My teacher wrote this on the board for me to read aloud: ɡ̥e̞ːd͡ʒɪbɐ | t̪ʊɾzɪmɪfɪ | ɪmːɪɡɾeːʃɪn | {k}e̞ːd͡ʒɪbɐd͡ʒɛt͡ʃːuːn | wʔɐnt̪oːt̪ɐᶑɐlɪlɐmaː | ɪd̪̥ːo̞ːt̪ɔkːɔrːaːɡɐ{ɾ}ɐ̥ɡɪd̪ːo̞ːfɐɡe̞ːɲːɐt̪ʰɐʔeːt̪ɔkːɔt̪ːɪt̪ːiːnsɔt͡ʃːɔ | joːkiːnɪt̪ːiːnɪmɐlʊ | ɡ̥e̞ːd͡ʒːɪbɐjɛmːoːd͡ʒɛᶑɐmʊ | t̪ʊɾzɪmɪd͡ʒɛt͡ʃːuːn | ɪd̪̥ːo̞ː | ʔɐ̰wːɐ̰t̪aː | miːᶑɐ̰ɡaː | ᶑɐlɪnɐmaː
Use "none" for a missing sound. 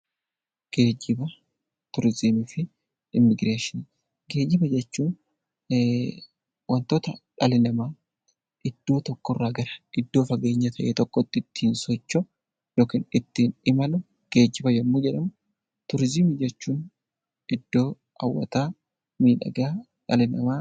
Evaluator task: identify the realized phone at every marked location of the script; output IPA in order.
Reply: ɡ, ɾ

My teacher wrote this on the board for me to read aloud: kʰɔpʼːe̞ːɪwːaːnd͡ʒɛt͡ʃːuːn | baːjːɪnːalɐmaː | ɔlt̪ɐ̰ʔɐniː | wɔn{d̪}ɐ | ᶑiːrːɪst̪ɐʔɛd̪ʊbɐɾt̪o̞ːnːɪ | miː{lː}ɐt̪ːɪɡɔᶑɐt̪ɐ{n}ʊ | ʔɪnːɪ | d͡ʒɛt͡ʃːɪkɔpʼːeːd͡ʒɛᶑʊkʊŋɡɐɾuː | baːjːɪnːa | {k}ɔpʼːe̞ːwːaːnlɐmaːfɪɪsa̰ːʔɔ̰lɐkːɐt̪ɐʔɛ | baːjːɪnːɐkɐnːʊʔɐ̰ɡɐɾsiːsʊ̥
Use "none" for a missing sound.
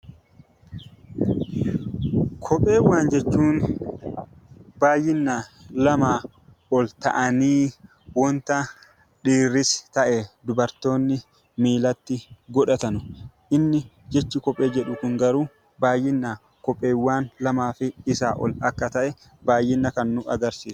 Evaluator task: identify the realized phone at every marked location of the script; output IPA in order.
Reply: t̪, l, n, k

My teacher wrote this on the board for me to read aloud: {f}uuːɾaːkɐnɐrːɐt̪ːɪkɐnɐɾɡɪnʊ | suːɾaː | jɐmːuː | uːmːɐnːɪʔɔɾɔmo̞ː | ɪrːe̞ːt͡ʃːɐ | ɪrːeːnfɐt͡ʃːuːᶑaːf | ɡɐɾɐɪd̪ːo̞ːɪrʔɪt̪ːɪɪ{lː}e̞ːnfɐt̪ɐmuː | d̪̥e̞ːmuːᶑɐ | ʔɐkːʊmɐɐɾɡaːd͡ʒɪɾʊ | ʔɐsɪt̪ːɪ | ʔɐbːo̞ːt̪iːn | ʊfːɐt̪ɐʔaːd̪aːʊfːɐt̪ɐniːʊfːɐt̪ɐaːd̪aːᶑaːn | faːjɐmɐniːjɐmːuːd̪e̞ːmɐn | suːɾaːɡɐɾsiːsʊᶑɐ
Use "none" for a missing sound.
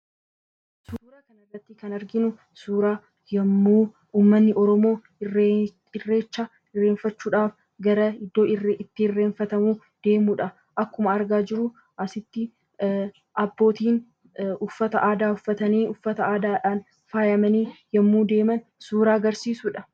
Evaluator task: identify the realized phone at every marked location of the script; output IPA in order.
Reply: s, rː

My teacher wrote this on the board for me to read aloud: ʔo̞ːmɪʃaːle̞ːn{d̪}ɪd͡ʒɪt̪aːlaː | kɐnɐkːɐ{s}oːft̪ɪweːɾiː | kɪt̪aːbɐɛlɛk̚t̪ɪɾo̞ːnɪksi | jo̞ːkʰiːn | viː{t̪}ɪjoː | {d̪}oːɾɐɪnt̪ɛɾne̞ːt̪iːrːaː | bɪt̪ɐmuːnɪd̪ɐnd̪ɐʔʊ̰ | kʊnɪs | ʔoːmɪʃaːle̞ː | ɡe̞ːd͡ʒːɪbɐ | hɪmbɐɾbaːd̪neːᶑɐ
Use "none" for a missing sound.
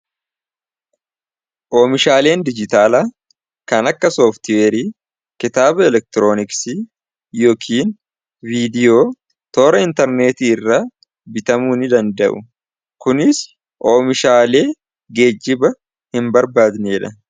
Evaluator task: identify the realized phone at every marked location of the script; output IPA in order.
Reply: d̪, s, d̪, t̪

